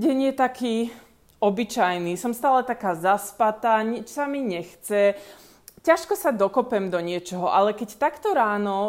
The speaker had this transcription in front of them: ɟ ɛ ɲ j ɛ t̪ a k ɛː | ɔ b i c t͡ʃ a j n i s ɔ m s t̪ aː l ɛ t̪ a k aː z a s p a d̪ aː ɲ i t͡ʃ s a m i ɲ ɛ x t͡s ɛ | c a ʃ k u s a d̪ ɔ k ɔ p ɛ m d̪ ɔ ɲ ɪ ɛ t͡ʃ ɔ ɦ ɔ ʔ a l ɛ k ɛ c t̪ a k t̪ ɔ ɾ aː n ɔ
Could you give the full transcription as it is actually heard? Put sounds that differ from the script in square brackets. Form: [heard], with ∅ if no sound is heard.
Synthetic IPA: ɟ ɛ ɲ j ɛ t̪ a k [iː] | ɔ b i [∅] t͡ʃ a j n i s ɔ m s t̪ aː l ɛ t̪ a k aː z a s p a [t̪] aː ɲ i t͡ʃ s a m i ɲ ɛ x t͡s ɛ | c a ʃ k [ɔ] s a d̪ ɔ k ɔ p ɛ m d̪ ɔ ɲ ɪ ɛ t͡ʃ ɔ ɦ ɔ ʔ a l ɛ k ɛ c t̪ a k t̪ ɔ ɾ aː n ɔ